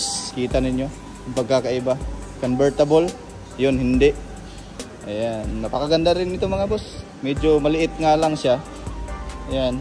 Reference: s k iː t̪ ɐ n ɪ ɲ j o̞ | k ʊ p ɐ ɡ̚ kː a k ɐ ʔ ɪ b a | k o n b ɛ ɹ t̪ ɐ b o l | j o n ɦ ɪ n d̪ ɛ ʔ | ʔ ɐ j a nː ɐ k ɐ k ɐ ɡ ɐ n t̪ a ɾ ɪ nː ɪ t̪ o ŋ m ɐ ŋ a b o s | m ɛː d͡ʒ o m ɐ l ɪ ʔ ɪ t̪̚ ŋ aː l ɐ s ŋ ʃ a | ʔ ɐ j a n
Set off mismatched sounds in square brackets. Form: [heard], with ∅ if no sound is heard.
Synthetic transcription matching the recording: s k iː t̪ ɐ n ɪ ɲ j o̞ | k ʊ p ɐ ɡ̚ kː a k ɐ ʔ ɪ b a | k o n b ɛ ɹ t̪ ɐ b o l | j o n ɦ ɪ n d̪ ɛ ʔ | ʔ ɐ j a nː ɐ [p] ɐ k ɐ ɡ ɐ n [d̪] a ɾ ɪ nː ɪ t̪ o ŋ m ɐ ŋ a b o s | m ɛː d͡ʒ o m ɐ l ɪ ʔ ɪ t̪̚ ŋ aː l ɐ [∅] ŋ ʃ a | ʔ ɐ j a n